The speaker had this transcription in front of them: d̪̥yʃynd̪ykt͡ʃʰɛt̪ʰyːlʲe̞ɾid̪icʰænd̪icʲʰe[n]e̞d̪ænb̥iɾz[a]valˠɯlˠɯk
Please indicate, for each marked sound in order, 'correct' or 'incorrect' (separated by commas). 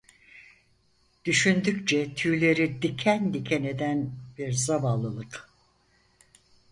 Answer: correct, correct